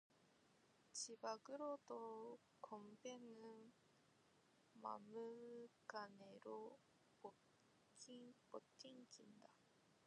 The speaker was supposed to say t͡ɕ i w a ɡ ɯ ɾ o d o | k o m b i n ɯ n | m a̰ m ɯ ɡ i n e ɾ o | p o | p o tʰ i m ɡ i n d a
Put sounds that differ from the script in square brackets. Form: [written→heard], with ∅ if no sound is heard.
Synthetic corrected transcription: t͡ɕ i [w→b] a ɡ ɯ ɾ o d o | k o m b [i→e] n ɯ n | m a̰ m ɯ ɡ [i→a] n e ɾ o | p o | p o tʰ i [m→ŋ] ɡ i n d a